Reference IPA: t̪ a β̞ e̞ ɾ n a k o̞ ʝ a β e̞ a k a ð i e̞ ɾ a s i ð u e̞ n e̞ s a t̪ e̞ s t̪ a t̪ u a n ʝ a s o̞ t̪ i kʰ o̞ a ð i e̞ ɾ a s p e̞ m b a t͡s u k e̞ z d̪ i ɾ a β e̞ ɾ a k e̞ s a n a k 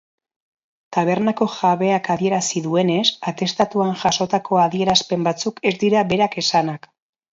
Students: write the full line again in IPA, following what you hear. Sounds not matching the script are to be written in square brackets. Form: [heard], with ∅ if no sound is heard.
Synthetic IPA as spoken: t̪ a β̞ e̞ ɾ n a k o̞ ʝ a β e̞ a k a ð i e̞ ɾ a s i ð u e̞ n e̞ s a t̪ e̞ s t̪ a t̪ u a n ʝ a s o̞ t̪ [a] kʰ o̞ a ð i e̞ ɾ a s p e̞ m b a t͡s u k e̞ z d̪ i ɾ a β e̞ ɾ a k e̞ s a n a k